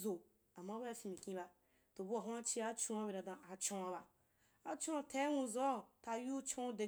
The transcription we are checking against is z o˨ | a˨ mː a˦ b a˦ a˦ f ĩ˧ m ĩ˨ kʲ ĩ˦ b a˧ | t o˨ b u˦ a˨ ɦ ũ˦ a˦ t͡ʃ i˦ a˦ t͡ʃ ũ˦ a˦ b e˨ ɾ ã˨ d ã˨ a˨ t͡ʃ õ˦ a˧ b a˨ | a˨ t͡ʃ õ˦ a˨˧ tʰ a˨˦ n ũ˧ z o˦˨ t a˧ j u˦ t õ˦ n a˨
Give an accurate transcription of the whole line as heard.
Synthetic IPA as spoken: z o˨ | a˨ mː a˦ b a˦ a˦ f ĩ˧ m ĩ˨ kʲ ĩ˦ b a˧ | t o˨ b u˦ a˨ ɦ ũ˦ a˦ t͡ʃ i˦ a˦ t͡ʃ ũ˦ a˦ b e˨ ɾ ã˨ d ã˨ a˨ t͡ʃ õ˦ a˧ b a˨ | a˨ t͡ʃ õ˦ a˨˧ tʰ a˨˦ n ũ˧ z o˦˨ t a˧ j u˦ t͡ʃ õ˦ d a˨